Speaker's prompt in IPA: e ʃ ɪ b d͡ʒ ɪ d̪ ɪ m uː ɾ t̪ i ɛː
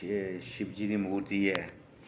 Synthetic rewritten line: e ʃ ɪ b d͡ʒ i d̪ i m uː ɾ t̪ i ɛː